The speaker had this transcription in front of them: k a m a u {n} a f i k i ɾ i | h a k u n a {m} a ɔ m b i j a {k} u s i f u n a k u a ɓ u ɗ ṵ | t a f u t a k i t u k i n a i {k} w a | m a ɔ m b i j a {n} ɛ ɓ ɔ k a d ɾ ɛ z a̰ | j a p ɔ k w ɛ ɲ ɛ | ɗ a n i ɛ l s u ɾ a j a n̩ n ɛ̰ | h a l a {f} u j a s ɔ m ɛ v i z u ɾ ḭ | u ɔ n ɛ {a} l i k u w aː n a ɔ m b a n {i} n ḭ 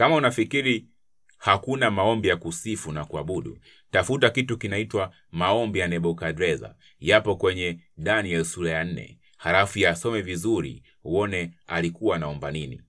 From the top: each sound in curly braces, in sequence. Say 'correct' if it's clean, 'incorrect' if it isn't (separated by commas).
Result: correct, correct, correct, incorrect, correct, correct, correct, correct